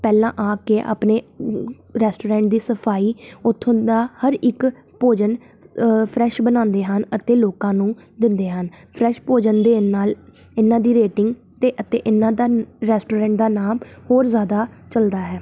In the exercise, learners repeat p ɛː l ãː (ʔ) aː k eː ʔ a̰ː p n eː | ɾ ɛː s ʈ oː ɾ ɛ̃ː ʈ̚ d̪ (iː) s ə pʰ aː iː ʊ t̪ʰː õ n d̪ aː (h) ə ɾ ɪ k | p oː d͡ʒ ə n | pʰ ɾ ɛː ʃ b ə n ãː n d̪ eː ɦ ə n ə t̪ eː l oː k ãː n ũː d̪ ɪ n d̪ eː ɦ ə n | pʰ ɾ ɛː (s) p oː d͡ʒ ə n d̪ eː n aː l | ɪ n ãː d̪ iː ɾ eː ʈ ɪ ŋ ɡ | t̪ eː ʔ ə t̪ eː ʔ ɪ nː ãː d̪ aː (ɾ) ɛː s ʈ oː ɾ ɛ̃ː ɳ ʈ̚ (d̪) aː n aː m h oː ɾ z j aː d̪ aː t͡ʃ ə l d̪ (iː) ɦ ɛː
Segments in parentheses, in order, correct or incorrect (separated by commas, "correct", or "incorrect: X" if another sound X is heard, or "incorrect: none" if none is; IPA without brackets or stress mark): correct, correct, correct, incorrect: ʃ, correct, correct, incorrect: aː